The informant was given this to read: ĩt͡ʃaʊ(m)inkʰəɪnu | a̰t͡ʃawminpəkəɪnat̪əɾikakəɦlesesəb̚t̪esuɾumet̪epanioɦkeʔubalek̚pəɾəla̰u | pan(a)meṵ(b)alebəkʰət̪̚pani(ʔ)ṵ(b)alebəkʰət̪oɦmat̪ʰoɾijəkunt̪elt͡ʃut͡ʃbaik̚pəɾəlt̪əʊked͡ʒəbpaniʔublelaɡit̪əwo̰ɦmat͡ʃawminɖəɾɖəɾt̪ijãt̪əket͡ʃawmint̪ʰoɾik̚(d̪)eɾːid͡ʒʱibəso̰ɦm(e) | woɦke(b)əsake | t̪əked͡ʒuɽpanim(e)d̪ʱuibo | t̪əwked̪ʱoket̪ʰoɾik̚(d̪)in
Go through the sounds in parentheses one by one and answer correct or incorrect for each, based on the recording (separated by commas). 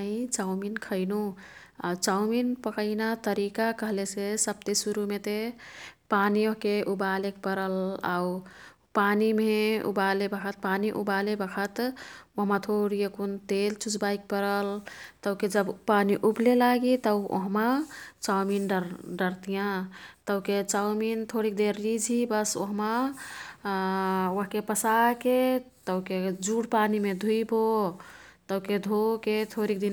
correct, incorrect, correct, correct, correct, correct, incorrect, incorrect, correct, correct